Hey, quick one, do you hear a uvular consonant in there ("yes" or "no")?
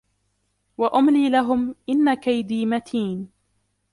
no